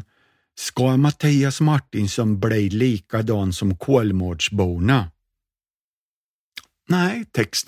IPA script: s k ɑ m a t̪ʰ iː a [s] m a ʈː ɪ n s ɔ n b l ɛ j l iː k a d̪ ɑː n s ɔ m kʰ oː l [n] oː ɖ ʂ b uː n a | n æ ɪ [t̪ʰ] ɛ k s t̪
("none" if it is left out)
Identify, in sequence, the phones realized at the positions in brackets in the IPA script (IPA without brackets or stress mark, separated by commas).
s, m, t̪ʰ